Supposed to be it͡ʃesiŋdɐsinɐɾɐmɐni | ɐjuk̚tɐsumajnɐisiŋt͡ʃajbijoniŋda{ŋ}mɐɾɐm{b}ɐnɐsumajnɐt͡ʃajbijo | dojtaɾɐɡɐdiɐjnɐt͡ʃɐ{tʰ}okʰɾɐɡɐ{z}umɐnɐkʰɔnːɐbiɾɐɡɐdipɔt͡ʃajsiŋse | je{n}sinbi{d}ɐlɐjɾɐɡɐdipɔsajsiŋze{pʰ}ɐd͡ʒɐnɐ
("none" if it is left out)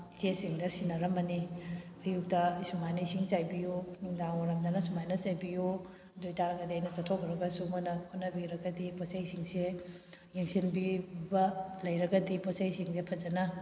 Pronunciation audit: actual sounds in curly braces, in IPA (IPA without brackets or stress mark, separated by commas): ŋ, d, tʰ, s, ŋ, b, pʰ